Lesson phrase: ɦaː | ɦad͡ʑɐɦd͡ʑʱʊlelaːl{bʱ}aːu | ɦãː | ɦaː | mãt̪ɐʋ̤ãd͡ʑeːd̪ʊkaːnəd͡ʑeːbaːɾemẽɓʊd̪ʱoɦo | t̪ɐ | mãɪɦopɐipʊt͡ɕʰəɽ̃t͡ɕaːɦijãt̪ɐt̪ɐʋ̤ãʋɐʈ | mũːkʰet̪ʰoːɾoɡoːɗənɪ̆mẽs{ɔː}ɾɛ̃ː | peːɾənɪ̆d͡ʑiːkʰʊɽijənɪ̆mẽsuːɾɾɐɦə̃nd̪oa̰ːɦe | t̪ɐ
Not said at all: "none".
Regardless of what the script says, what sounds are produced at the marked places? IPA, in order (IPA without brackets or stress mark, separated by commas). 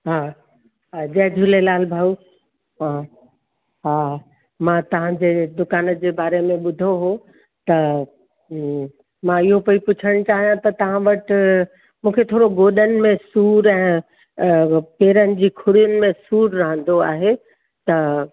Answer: bʱ, uː